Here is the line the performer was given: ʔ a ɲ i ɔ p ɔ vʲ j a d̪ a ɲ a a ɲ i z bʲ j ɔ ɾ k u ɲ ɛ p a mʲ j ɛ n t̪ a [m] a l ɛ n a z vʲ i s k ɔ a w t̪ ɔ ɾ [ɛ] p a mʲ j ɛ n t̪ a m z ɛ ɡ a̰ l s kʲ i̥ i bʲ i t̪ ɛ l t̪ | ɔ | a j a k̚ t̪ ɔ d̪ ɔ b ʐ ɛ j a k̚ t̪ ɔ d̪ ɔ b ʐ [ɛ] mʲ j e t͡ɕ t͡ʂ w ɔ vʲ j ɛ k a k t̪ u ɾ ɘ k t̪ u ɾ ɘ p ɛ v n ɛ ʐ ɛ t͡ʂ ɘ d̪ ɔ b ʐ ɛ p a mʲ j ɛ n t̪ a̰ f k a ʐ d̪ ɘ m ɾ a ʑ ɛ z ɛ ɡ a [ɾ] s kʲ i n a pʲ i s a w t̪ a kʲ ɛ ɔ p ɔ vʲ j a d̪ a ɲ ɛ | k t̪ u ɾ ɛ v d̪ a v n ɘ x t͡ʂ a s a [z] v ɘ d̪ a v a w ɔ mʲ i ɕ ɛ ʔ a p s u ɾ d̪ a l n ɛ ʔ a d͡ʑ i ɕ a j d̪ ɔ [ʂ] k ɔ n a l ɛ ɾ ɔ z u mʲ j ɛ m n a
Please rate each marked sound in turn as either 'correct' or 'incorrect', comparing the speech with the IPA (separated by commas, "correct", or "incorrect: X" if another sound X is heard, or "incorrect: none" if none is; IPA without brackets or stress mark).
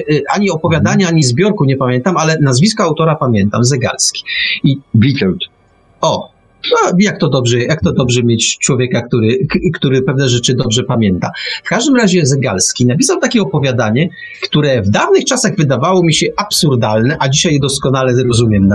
correct, incorrect: a, correct, incorrect: l, incorrect: ɣ, incorrect: s